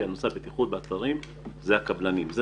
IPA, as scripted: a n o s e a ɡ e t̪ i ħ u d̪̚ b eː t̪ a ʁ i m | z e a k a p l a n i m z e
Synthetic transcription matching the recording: a n o s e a b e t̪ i χ u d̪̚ b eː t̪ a ʁ i m | z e a k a b l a n i m z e